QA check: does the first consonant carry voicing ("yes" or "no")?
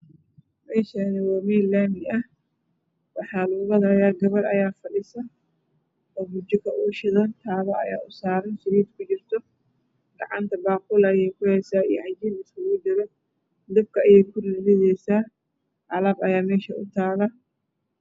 yes